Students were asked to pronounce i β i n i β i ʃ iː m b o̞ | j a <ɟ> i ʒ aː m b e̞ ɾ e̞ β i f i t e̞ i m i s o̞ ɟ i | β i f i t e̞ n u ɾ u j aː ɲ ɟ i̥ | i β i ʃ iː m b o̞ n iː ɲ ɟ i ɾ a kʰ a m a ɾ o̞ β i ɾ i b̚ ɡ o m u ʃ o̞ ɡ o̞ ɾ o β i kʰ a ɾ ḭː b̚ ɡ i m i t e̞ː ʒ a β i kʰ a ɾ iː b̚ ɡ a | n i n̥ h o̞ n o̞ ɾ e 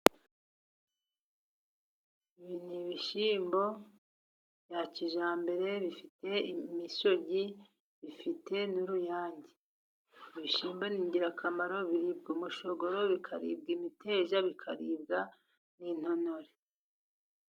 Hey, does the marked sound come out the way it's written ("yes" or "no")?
no